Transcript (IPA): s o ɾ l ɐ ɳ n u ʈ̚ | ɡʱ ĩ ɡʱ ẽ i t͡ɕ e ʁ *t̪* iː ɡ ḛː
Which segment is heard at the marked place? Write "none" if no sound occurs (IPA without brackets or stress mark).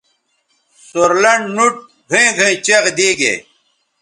d̪